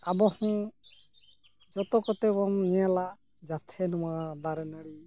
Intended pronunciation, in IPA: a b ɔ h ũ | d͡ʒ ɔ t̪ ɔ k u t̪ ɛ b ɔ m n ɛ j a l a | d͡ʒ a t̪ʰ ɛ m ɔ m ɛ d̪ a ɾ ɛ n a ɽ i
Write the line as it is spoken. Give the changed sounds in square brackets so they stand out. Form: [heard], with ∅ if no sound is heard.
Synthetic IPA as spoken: a b ɔ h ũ | d͡ʒ ɔ t̪ ɔ k [ɔ] t̪ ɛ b ɔ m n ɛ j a l a | d͡ʒ a t̪ʰ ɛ [n] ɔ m [a] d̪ a ɾ ɛ n a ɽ i